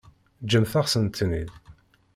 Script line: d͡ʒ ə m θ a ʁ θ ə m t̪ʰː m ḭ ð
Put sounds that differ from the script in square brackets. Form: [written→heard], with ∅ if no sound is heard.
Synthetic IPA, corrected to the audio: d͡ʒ ə m θ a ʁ [θ→s] ə [m→n] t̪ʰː [m→n] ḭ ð

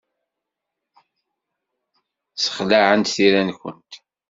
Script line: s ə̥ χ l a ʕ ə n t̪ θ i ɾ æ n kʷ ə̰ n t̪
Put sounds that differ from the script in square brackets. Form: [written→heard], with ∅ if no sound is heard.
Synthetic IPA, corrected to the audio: s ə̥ χ l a ʕ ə n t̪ θ i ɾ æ n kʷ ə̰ n t̪

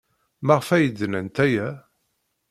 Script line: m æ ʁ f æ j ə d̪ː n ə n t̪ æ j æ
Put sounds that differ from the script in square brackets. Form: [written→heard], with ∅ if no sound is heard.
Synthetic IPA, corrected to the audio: m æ ʁ f æ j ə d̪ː n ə n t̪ æ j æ

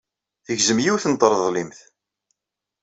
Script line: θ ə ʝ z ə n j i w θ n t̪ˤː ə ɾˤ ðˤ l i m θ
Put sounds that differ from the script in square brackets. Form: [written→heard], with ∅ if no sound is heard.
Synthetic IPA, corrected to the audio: θ ə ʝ z ə [n→m] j i w θ n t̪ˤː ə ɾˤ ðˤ l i m θ

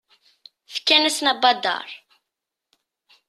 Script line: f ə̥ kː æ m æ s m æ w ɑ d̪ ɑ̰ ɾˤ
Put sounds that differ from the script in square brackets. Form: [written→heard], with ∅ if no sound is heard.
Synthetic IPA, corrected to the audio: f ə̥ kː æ [m→n] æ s [m→n] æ [w→b] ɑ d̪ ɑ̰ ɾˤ

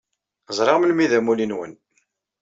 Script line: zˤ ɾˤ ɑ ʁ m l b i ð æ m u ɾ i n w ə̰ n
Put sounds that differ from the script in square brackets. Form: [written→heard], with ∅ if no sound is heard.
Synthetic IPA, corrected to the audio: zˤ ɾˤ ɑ ʁ m l [b→m] i ð æ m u [ɾ→l] i n w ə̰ n

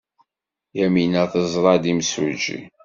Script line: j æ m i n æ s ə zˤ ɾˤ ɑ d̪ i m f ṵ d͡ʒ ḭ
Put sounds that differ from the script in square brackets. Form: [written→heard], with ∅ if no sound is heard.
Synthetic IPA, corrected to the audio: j æ m i n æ [s→θ] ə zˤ ɾˤ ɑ d̪ i m [f→s] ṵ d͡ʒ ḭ

